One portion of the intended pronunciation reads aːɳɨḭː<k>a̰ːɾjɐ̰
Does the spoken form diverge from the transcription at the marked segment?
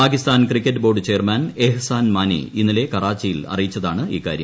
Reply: no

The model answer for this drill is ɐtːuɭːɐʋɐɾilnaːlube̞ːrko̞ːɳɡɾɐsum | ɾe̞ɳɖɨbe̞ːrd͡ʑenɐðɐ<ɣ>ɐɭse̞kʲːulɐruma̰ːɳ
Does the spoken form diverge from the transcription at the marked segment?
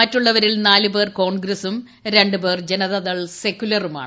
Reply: yes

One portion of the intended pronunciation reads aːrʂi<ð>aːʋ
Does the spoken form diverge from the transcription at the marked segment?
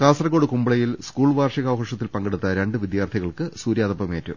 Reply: yes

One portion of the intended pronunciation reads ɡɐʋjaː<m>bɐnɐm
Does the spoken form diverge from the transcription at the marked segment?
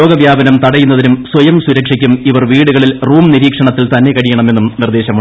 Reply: yes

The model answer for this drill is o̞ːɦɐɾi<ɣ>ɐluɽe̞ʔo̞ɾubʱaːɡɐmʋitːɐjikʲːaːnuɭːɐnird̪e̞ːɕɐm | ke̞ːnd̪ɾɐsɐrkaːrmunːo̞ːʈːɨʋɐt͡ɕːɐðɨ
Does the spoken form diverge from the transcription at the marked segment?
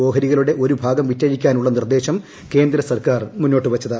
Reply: no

